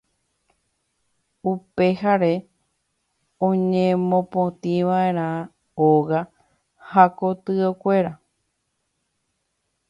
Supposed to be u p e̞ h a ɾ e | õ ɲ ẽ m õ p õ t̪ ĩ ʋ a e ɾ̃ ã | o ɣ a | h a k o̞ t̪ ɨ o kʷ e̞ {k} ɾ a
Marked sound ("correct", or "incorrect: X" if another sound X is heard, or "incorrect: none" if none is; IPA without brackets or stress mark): incorrect: none